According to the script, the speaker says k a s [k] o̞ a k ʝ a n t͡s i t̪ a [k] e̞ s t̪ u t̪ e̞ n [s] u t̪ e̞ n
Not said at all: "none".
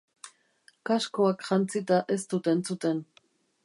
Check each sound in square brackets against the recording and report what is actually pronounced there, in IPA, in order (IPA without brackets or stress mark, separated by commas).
k, ʔ, t͡s